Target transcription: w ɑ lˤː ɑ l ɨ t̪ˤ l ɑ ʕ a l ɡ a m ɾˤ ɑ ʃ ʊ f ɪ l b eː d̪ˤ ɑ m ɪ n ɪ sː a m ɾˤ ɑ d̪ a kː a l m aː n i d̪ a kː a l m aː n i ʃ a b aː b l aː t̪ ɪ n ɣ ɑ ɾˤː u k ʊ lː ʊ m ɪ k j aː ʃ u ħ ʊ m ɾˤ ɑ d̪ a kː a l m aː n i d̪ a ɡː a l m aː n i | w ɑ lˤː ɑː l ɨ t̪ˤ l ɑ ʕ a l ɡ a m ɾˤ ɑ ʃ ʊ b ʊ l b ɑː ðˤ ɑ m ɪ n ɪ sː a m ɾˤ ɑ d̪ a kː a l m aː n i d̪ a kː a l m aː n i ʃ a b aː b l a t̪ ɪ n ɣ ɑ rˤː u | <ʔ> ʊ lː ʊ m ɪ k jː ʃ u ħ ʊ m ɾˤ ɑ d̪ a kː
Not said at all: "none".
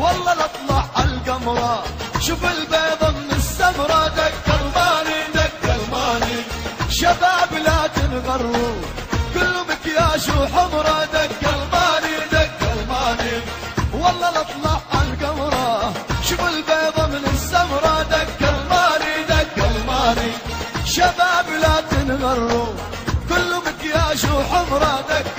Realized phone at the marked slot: k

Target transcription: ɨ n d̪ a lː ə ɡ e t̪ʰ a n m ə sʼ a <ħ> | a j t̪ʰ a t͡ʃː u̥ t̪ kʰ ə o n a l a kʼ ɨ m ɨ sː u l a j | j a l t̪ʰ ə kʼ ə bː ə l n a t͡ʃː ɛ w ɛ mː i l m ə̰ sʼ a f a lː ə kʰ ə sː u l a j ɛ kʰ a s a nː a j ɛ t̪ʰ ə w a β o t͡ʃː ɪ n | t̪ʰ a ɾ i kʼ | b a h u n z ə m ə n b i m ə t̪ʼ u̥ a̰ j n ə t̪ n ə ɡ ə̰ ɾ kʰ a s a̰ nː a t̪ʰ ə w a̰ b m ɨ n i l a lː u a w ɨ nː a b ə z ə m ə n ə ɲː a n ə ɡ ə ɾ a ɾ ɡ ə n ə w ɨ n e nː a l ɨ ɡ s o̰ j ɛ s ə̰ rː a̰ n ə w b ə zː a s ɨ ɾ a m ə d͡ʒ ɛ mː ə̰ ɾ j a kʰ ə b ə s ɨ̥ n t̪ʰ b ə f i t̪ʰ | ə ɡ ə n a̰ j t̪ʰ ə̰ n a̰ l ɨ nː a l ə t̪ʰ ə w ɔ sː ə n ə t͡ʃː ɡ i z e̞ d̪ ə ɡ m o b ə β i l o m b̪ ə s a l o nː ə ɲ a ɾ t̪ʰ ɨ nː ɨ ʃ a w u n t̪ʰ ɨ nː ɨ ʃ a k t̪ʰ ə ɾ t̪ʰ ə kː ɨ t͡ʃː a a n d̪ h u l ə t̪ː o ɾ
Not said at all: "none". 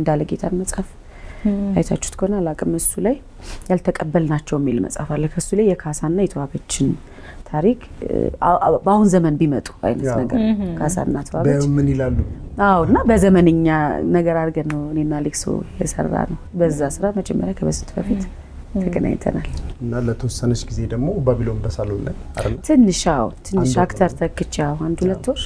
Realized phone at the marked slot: f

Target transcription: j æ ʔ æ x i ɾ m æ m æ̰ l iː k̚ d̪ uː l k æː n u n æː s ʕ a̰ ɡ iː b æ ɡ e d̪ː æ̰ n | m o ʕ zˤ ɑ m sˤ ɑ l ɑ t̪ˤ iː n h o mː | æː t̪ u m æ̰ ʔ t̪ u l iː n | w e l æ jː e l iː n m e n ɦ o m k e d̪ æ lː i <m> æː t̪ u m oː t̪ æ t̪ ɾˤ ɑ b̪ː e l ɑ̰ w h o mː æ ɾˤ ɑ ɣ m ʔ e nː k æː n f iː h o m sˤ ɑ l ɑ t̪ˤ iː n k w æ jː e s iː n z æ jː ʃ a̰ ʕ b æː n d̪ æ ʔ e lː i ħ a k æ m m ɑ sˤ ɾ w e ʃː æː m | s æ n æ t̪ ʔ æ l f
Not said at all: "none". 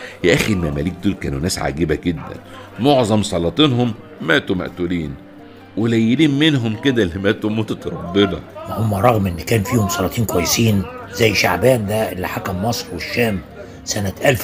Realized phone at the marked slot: m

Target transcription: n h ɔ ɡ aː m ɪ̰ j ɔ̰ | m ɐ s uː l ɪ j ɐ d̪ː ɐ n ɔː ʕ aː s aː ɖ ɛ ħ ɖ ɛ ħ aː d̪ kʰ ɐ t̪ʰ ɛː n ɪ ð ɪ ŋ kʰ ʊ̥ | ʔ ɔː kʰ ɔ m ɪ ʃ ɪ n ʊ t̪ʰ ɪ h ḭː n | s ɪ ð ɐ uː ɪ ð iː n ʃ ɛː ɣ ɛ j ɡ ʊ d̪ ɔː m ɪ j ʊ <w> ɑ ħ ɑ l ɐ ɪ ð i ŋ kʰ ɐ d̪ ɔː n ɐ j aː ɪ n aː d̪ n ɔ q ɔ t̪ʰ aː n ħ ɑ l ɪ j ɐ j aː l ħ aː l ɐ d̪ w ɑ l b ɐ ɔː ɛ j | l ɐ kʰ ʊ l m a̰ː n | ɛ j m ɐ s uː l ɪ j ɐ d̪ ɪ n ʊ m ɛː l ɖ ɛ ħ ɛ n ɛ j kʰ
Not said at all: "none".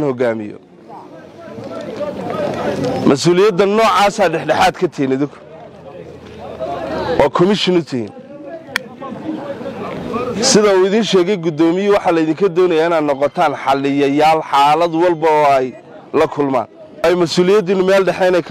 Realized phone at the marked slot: w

